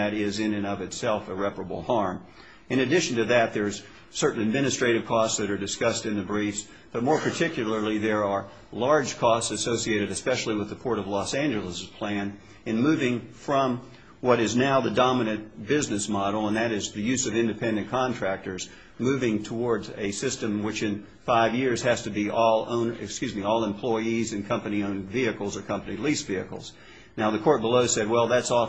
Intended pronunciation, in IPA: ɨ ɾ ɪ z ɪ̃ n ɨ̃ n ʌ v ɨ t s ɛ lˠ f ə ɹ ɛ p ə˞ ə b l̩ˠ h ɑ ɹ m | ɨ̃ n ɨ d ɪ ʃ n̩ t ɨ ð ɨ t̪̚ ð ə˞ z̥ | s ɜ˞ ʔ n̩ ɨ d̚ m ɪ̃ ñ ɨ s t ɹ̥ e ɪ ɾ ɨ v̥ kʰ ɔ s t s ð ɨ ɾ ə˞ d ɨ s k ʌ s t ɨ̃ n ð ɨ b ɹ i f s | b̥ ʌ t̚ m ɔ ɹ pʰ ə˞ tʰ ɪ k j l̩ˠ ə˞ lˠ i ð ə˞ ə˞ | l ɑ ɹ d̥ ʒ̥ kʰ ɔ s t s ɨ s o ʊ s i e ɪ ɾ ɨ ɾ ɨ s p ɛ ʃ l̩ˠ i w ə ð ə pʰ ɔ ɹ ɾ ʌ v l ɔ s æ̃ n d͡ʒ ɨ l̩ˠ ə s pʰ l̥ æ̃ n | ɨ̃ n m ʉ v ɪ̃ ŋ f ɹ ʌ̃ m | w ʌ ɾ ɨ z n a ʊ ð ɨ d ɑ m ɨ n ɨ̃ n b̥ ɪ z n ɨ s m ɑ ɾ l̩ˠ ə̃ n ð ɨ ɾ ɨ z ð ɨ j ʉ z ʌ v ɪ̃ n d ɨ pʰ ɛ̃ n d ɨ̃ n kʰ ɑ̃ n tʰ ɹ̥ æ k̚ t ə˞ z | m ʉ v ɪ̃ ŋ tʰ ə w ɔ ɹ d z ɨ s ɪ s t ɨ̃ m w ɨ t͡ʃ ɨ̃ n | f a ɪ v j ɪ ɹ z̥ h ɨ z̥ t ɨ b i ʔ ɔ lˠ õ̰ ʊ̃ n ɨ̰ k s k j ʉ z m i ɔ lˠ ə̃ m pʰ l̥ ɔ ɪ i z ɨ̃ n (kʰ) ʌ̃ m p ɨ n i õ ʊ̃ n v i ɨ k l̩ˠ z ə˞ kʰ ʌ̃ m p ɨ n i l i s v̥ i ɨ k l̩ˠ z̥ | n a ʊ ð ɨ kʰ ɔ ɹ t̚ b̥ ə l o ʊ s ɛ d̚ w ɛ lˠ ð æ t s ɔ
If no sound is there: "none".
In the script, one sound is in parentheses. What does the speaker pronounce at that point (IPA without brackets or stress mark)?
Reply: kʰ